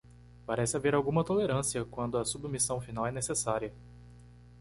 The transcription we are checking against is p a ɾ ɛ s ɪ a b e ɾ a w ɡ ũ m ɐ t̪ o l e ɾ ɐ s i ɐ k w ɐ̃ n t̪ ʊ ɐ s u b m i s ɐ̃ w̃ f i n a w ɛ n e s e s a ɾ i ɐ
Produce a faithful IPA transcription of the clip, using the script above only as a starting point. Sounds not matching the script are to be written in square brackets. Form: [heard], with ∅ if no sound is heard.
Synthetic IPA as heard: p a ɾ ɛ s ɪ a [v] e ɾ a w ɡ ũ m ɐ t̪ o l e ɾ [ɐ̃] s i ɐ k w ɐ̃ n [d̪] ʊ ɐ s u b m i s ɐ̃ w̃ f i n a w ɛ n e s e s a ɾ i ɐ